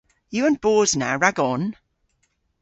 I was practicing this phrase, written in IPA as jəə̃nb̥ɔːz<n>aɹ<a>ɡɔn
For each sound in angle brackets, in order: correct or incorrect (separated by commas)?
correct, correct